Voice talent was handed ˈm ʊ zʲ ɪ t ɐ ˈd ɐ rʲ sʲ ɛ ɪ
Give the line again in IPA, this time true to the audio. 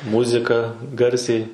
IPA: ˈm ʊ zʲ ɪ k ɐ ˈɡ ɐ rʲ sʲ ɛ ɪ